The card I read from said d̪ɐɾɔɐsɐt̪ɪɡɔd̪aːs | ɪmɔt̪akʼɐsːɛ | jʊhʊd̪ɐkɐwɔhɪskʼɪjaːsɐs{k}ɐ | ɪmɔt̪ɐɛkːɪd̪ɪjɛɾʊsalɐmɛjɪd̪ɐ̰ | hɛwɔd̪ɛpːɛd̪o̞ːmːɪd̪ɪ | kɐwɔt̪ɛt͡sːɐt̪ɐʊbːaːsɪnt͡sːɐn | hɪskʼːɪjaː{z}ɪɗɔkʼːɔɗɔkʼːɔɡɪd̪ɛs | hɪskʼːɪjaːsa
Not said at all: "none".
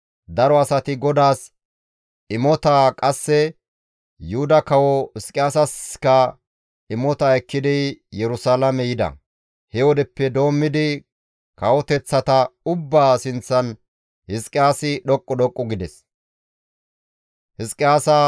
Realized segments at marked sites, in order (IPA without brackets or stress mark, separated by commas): k, s